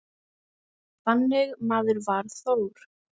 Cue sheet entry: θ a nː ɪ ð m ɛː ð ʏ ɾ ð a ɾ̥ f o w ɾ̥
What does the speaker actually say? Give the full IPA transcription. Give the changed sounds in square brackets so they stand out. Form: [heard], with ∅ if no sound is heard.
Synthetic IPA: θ a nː ɪ [ɣ] m [aː] ð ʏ ɾ [v] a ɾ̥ [θ] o w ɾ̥